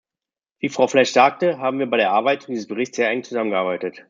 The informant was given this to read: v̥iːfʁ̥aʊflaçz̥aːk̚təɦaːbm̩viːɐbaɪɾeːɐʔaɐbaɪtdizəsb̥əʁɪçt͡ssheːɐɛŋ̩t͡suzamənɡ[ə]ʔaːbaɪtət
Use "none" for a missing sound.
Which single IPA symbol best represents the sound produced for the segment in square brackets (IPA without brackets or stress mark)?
ə